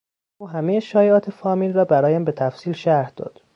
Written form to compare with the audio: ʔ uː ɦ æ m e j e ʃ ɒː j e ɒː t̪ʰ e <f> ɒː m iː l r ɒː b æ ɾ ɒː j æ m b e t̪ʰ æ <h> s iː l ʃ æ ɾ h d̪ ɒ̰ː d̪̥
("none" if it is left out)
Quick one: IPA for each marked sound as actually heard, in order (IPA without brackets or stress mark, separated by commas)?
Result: f, f